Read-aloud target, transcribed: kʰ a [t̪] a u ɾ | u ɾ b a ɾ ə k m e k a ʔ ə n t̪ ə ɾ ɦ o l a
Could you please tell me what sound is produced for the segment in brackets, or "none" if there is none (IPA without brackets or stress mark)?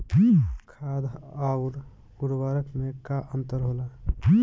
d̪